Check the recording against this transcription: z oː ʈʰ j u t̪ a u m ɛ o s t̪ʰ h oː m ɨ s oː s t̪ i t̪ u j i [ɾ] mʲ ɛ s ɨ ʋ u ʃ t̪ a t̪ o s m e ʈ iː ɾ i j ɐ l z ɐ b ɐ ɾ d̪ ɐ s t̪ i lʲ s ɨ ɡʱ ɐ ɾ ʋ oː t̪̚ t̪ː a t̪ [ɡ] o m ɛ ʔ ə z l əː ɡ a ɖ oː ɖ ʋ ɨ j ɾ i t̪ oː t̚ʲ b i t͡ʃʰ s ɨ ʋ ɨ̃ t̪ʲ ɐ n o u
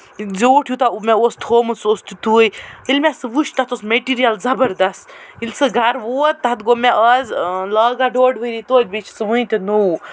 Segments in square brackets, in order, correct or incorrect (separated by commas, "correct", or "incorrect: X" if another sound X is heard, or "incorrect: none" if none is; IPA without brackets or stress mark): incorrect: l, correct